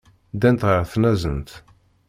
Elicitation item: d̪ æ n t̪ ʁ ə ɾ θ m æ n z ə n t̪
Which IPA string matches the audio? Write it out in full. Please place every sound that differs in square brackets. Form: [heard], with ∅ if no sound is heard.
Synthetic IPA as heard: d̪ æ n t̪ ʁ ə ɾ θ [n] æ [∅] z ə n t̪